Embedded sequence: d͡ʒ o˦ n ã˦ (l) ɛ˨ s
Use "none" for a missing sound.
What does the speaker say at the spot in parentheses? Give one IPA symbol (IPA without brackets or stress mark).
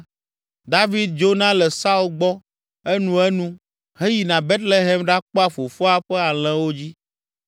l